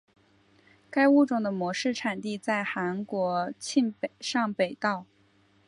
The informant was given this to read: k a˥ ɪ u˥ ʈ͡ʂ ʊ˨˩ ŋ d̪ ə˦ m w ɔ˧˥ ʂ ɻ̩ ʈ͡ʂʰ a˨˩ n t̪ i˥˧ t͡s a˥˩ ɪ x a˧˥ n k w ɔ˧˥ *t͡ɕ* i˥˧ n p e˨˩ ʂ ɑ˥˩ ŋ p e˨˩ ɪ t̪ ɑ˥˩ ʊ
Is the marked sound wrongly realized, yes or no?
yes